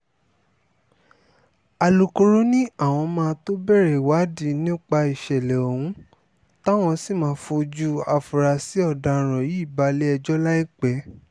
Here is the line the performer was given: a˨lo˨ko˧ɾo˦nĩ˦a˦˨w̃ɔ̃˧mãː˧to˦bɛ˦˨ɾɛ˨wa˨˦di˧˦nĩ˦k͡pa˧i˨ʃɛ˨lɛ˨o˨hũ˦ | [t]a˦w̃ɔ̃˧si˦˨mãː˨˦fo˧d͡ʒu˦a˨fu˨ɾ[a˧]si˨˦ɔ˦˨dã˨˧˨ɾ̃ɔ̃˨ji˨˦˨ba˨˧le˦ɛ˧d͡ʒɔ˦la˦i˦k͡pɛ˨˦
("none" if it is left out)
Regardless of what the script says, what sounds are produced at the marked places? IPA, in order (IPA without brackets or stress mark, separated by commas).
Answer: t, a˧